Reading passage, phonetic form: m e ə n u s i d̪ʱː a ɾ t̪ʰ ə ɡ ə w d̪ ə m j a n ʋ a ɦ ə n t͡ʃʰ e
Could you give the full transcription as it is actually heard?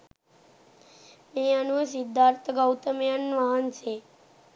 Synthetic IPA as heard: m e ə n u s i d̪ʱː a ɾ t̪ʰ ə ɡ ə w t̪ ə m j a n ʋ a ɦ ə n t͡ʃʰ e